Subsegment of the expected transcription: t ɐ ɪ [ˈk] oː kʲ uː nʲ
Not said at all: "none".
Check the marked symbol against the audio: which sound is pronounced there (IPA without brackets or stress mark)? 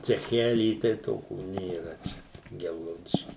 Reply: t